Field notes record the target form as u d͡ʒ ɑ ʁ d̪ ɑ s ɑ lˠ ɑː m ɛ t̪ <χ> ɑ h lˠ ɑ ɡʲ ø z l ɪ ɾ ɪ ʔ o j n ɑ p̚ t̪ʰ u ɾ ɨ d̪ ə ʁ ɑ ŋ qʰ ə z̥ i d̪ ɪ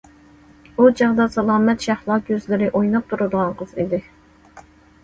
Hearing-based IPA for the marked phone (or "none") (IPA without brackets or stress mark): ʃ